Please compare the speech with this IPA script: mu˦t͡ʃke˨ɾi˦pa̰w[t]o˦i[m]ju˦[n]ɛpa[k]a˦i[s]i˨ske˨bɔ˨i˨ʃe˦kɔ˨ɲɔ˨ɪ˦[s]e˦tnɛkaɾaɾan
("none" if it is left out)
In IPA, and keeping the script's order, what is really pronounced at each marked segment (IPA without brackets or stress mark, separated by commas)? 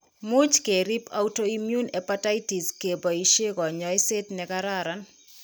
t, m, n, t, t, s